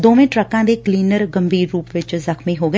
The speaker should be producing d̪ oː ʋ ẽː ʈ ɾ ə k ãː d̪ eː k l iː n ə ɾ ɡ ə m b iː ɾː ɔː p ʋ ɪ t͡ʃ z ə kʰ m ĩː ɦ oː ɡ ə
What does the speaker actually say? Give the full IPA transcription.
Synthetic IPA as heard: d̪ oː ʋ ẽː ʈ ɾ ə k ãː d̪ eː k l iː n ə ɾ ɡ ə m b iː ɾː uː p ʋ ɪ t͡ʃ z ə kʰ m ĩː ɦ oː ɡ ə